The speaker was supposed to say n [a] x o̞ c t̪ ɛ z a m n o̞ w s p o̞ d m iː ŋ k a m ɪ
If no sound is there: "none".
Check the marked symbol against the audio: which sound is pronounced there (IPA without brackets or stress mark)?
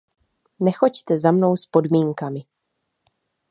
ɛ